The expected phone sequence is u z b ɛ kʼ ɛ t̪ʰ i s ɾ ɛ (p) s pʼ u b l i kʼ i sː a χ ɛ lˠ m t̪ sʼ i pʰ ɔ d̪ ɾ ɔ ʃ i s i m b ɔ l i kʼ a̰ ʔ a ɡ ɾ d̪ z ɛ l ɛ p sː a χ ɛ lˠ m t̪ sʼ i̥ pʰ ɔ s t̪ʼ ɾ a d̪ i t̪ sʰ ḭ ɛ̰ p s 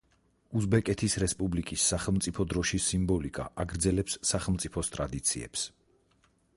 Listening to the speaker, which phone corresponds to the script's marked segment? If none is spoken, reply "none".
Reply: none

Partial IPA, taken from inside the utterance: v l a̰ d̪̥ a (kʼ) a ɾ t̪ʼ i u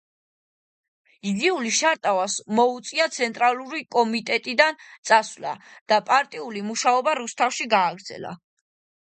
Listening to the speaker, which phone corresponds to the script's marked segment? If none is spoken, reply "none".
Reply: pʼ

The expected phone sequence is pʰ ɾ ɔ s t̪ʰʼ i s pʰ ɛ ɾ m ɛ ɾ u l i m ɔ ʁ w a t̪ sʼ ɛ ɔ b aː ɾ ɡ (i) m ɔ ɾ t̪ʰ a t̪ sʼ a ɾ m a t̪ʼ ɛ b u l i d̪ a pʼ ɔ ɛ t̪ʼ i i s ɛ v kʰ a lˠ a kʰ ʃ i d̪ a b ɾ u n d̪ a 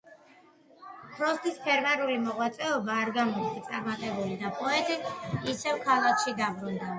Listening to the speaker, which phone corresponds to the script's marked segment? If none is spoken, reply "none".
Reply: a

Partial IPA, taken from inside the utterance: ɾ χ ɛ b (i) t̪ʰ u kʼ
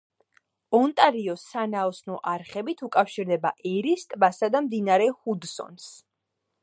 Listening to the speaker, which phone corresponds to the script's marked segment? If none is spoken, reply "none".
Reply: i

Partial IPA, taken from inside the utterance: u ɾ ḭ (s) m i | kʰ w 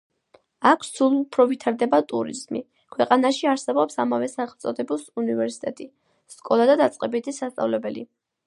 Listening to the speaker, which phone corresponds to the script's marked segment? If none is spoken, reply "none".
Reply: z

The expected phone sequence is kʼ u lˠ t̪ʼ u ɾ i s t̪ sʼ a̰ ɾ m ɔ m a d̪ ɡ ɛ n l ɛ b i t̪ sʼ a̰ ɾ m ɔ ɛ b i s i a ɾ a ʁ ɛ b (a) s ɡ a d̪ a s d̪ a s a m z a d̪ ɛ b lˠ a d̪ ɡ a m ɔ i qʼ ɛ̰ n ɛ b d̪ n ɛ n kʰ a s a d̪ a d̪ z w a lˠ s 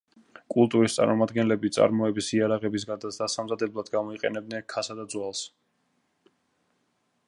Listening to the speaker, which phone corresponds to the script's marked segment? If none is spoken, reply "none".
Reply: i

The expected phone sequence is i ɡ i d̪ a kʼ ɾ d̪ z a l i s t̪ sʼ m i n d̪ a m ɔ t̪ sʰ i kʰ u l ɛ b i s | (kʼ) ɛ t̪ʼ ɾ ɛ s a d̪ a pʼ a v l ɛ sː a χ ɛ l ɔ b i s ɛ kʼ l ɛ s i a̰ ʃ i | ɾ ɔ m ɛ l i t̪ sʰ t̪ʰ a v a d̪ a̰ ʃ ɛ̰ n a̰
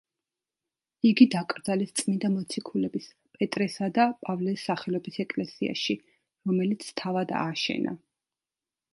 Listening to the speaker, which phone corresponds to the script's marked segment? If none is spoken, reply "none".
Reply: pʼ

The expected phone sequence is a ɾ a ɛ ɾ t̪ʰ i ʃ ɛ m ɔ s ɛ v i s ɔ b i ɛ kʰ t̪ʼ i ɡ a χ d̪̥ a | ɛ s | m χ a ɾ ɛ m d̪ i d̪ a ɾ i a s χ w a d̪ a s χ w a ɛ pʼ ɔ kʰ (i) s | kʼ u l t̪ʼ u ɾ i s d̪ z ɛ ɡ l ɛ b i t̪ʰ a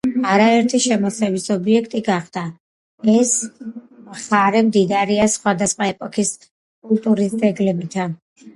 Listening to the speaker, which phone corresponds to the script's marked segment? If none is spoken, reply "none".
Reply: i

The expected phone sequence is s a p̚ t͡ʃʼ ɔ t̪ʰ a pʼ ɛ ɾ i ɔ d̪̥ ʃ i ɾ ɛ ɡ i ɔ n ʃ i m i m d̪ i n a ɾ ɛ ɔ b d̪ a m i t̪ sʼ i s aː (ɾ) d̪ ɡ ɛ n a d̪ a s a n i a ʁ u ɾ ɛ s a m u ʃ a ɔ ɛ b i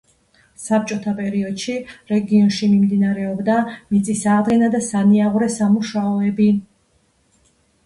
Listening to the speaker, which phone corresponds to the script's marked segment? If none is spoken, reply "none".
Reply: none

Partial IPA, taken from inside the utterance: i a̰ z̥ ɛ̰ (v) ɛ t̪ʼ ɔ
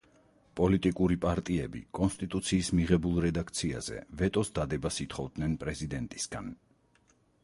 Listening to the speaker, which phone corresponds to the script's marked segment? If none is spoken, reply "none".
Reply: v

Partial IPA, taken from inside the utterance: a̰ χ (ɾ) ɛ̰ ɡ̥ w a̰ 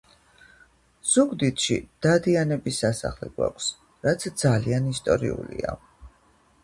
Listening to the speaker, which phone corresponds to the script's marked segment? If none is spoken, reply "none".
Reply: l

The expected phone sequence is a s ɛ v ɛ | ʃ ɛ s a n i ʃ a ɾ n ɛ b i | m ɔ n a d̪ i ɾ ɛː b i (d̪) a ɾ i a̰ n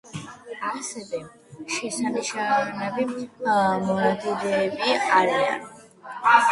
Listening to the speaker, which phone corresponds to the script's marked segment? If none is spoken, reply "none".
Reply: none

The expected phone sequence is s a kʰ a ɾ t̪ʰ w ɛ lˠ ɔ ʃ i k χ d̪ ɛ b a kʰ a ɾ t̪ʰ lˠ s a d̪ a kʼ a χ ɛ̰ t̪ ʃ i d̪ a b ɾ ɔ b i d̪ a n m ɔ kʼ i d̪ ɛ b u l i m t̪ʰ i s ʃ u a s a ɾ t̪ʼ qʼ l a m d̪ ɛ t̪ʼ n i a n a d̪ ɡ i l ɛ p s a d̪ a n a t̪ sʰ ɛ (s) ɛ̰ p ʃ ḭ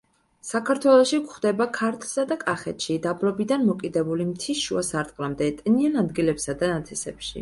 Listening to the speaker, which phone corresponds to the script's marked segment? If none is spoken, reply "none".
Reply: s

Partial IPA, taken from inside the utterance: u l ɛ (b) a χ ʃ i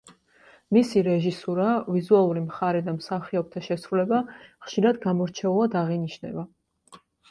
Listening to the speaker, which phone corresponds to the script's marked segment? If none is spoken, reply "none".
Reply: b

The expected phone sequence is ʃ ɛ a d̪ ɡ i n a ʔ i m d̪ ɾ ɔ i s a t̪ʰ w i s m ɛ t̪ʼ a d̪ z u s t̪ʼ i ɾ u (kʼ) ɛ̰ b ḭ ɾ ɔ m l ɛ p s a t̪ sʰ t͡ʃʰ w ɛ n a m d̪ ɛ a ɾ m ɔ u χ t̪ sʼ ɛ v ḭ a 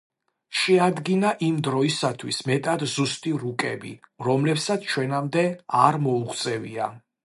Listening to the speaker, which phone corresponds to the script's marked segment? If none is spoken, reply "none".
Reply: kʼ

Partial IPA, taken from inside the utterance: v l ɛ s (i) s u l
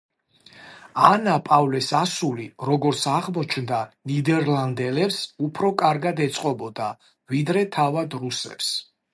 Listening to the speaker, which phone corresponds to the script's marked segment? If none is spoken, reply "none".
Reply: a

